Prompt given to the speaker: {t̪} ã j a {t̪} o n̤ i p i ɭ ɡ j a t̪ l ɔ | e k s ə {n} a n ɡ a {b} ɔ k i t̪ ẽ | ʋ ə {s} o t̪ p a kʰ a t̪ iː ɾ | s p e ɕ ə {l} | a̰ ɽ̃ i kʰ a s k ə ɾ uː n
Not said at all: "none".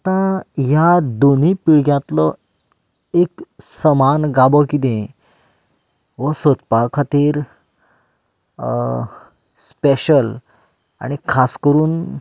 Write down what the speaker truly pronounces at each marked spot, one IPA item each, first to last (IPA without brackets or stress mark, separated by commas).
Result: t̪, d̪, m, b, s, l